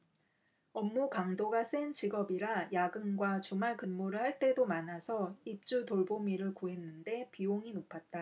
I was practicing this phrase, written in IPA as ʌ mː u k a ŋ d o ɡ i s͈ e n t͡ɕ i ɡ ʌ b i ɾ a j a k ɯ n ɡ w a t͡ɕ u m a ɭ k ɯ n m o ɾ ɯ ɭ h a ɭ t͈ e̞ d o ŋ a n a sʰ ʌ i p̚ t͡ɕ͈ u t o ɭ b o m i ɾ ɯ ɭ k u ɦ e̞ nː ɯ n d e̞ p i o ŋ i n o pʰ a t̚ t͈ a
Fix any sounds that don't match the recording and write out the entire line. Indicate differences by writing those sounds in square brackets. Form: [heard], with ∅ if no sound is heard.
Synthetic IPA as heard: ʌ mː u k a ŋ d o ɡ [a] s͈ e n t͡ɕ i ɡ ʌ b i ɾ a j a [ɡ] ɯ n ɡ w a t͡ɕ u m a ɭ k ɯ n m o ɾ ɯ ɭ h a ɭ t͈ e̞ d o [m] a n a sʰ ʌ i p̚ t͡ɕ͈ u t o ɭ b o m i ɾ ɯ ɭ k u ɦ e̞ nː ɯ n d e̞ p i o ŋ i n o pʰ a t̚ t͈ a

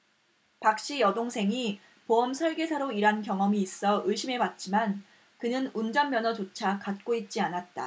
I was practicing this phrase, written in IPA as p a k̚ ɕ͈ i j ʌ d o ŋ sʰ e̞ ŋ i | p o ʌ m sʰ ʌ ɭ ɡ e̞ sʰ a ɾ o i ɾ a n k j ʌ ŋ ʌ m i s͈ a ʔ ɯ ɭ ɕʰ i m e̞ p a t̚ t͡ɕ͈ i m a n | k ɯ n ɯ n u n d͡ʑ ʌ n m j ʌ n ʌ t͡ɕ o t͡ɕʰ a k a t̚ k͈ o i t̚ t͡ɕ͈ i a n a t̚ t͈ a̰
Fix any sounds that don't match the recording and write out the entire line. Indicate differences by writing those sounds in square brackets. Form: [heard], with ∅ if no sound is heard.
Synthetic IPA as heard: p a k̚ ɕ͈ i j ʌ d o ŋ sʰ e̞ ŋ i | p o ʌ m sʰ ʌ ɭ ɡ e̞ sʰ a ɾ o i ɾ a n k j ʌ ŋ ʌ m [iː] s͈ [ʌ] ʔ ɯ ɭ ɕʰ i m e̞ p a t̚ t͡ɕ͈ i m a n | k ɯ n ɯ n u n d͡ʑ ʌ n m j ʌ n ʌ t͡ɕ o t͡ɕʰ a k a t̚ k͈ o i t̚ t͡ɕ͈ i a n a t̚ t͈ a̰

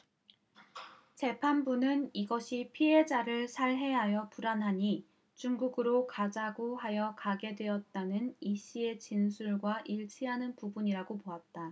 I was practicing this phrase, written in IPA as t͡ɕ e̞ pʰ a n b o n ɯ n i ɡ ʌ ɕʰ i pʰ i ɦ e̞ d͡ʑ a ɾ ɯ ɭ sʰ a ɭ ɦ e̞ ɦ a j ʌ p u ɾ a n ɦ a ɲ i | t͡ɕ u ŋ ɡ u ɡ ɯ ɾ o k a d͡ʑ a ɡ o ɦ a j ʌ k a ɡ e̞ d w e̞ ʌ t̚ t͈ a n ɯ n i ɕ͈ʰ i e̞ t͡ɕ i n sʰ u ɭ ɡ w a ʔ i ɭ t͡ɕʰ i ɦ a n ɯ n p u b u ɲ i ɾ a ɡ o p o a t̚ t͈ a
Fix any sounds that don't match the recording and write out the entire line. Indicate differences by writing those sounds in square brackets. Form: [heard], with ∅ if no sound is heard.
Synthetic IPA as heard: t͡ɕ e̞ pʰ a n b [u] n ɯ n i ɡ ʌ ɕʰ i pʰ i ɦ e̞ d͡ʑ a ɾ ɯ ɭ sʰ a ɭ ɦ e̞ ɦ a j ʌ p u ɾ a n ɦ a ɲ i | t͡ɕ u ŋ ɡ u ɡ ɯ ɾ o k a d͡ʑ a ɡ o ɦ a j ʌ k a ɡ e̞ d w e̞ ʌ t̚ t͈ a n ɯ n i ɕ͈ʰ i e̞ t͡ɕ i n sʰ u ɭ ɡ w a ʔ i ɭ t͡ɕʰ i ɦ a n ɯ n p u b u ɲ i ɾ a ɡ o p o a t̚ t͈ a

